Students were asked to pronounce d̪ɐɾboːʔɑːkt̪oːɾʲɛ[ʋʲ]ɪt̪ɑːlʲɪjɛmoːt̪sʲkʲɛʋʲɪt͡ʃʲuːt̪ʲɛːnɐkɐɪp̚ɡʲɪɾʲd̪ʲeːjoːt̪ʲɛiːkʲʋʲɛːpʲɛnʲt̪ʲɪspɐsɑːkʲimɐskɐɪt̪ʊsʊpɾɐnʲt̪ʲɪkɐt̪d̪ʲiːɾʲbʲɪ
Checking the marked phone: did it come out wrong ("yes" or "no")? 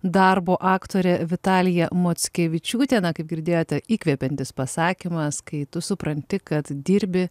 no